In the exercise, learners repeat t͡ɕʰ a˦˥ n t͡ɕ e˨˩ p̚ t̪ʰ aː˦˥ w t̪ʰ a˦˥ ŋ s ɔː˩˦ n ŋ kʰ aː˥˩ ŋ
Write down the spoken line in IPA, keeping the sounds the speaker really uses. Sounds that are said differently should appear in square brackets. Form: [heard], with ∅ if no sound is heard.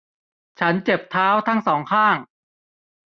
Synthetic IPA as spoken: t͡ɕʰ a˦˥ n t͡ɕ e˨˩ p̚ t̪ʰ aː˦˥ w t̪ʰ a˦˥ ŋ s ɔː˩˦ [∅] ŋ kʰ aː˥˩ ŋ